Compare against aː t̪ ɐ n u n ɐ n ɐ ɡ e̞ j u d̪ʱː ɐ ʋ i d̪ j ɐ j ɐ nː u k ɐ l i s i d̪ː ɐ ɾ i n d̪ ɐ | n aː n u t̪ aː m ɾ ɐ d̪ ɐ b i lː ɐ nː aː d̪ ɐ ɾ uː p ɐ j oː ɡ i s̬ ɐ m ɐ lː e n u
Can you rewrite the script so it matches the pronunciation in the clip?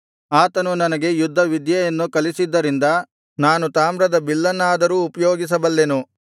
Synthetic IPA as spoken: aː t̪ ɐ n u n ɐ n ɐ ɡ e̞ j u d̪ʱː ɐ ʋ i d̪ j ɐ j ɐ nː u k ɐ l i s i d̪ː ɐ ɾ i n d̪ ɐ | n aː n u t̪ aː m ɾ ɐ d̪ ɐ b i lː ɐ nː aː d̪ ɐ ɾ uː p ɐ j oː ɡ i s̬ ɐ b ɐ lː e n u

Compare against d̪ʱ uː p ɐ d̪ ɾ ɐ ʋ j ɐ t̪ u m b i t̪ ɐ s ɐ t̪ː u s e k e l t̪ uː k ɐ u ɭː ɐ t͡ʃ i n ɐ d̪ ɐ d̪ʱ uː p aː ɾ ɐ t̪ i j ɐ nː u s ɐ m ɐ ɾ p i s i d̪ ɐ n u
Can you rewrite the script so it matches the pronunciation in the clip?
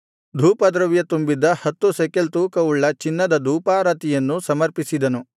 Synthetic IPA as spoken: d̪ʱ uː p ɐ d̪ ɾ ɐ ʋ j ɐ t̪ u m b i d̪ ɐ h ɐ t̪ː u s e k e l t̪ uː k ɐ u ɭː ɐ t͡ʃ i nː ɐ d̪ ɐ d̪ʱ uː p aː ɾ ɐ t̪ i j ɐ nː u s ɐ m ɐ ɾ p i s i d̪ ɐ n u

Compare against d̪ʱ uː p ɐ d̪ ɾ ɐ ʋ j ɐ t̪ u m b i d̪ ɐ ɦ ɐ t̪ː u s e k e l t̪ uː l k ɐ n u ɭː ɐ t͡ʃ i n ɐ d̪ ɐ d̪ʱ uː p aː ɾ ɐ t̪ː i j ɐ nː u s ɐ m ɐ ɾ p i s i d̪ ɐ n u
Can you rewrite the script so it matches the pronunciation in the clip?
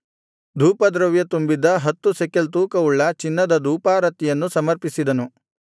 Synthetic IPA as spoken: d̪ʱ uː p ɐ d̪ ɾ ɐ ʋ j ɐ t̪ u m b i d̪ ɐ ɦ ɐ t̪ː u s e k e l t̪ uː k ɐ u ɭː ɐ t͡ʃ i nː ɐ d̪ ɐ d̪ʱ uː p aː ɾ ɐ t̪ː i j ɐ nː u s ɐ m ɐ ɾ p i s i d̪ ɐ n u

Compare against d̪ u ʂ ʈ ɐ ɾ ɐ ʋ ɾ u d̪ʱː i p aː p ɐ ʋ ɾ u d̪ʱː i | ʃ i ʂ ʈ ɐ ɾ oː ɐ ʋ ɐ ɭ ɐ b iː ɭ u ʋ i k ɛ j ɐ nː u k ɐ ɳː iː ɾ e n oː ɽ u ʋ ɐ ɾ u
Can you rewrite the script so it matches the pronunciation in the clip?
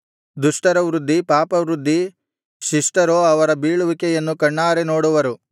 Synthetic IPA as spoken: d̪ u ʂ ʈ ɐ ɾ ɐ ʋ ɾ u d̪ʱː i p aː p ɐ ʋ ɾ u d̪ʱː i | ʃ i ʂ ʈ ɐ ɾ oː ɐ ʋ ɐ ɾ ɐ b iː ɭ u ʋ i k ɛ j ɐ nː u k ɐ ɳː aː ɾ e n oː ɽ u ʋ ɐ ɾ u

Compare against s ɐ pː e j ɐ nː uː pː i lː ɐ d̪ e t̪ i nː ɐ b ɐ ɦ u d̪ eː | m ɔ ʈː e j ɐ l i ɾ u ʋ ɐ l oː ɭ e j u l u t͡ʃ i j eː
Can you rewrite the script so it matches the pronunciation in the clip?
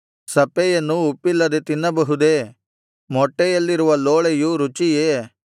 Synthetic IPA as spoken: s ɐ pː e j ɐ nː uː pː i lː ɐ d̪ e t̪ i nː ɐ b ɐ ɦ u d̪ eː | m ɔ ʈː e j ɐ lː i ɾ u ʋ ɐ l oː ɭ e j u ɾ u t͡ʃ i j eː

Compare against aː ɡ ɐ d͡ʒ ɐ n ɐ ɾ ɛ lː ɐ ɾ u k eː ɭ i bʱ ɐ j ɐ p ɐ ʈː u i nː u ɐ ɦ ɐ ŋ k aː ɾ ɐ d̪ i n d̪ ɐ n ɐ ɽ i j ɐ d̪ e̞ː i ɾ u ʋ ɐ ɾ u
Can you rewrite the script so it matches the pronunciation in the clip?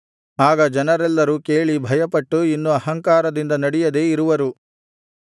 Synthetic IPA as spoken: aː ɡ ɐ d͡ʒ ɐ n ɐ ɾ ɛ lː ɐ ɾ u k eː ɭ i bʱ ɐ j ɐ p ɐ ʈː u i nː u ɐ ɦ ɐ ŋ k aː ɾ ɐ d̪ i n d̪ ɐ n ɐ ɽ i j ɐ d̪ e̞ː i ɾ u ʋ ɐ ɾ u

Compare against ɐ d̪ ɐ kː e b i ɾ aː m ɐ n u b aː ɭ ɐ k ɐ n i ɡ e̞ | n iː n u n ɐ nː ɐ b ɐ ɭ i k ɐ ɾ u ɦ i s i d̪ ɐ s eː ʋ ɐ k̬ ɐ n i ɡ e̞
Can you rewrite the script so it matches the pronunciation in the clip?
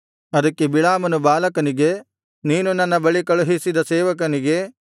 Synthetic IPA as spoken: ɐ d̪ ɐ kː e b i ɭ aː m ɐ n u b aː l ɐ k ɐ n i ɡ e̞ | n iː n u n ɐ nː ɐ b ɐ ɭ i k ɐ ɭ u ɦ i s i d̪ ɐ s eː ʋ ɐ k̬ ɐ n i ɡ e̞

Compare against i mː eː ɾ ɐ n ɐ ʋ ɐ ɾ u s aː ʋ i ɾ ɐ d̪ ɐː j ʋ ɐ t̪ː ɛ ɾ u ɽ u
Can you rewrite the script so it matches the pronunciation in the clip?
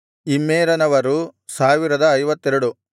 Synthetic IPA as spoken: i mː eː ɾ ɐ n ɐ ʋ ɐ ɾ u s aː ʋ i ɾ ɐ d̪ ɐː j ʋ ɐ t̪ː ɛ ɾ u ɽ u

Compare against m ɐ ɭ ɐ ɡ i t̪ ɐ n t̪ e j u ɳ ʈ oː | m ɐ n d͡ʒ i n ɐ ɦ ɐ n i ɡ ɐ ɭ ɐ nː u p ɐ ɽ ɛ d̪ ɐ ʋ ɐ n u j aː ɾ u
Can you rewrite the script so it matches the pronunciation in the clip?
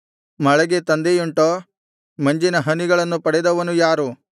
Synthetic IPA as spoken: m ɐ ɭ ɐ ɡ e t̪ ɐ n d̪ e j u ɳ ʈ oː | m ɐ ɲ d͡ʒ i n ɐ ɦ ɐ n i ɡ ɐ ɭ ɐ nː u p ɐ ɽ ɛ d̪ ɐ ʋ ɐ n u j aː ɾ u

